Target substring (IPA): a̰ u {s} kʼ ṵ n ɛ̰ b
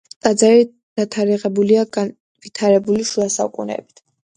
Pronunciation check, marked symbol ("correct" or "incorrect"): incorrect